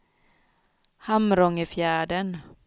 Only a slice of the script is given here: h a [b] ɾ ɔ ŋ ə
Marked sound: incorrect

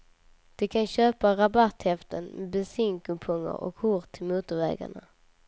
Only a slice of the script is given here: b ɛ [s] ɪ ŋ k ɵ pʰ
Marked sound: correct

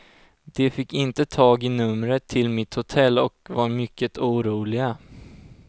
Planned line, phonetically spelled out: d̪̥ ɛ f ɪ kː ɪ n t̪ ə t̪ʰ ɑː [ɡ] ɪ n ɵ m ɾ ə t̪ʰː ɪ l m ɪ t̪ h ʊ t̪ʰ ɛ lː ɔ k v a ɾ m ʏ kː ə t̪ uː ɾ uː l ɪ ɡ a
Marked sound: correct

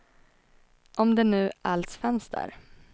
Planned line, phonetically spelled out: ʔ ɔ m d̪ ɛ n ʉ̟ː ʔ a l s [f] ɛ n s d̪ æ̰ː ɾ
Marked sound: correct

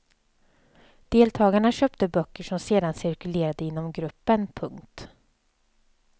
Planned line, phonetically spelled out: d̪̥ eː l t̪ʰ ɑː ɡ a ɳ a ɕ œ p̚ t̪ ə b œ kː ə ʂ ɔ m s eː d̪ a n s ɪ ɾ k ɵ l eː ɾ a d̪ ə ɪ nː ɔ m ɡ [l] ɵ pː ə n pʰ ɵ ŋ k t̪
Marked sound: incorrect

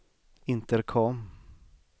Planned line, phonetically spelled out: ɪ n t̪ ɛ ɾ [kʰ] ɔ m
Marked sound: correct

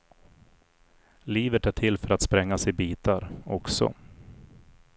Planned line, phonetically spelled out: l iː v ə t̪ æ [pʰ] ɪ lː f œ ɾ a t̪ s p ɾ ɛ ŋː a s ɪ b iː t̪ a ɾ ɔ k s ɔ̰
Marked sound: incorrect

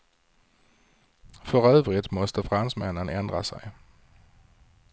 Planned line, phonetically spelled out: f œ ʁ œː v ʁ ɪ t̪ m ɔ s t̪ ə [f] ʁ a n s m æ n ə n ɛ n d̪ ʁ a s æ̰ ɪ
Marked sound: correct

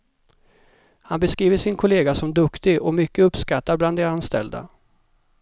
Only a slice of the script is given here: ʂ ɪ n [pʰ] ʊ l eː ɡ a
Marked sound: incorrect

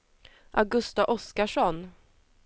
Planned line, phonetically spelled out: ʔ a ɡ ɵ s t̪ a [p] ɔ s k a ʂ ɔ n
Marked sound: incorrect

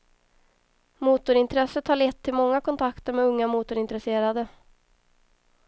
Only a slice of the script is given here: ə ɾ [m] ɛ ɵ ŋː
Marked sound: correct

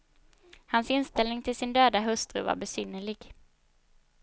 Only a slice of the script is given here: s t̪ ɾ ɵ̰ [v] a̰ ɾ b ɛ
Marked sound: correct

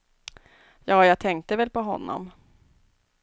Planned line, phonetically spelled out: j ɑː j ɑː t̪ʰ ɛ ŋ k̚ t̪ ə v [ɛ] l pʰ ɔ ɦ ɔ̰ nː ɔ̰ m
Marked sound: correct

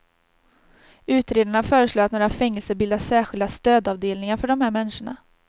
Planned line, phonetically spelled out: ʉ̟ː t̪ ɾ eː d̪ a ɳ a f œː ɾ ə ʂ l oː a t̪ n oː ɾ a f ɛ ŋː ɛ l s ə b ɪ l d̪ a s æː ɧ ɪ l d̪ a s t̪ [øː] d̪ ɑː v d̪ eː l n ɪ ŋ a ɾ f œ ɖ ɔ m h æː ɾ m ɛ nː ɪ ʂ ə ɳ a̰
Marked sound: correct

